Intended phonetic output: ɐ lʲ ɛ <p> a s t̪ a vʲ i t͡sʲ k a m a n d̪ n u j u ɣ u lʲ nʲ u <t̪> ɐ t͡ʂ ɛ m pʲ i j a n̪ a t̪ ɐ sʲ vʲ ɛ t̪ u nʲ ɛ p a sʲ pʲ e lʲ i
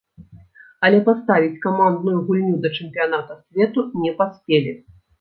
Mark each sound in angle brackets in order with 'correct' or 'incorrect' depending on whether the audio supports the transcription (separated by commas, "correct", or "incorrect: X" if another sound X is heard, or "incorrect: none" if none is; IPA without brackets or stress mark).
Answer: correct, incorrect: d̪